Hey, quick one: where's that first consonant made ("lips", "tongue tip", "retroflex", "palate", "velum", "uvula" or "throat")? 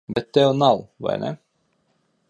lips